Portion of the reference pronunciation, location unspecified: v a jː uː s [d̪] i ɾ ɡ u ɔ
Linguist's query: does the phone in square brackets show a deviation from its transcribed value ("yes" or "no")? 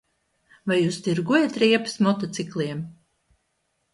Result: yes